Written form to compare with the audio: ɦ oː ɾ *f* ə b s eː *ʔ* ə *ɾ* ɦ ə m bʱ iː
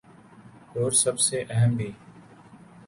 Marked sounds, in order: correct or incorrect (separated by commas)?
incorrect, correct, incorrect